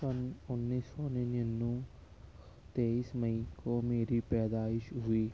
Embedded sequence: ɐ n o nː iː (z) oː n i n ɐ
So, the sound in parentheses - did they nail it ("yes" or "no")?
no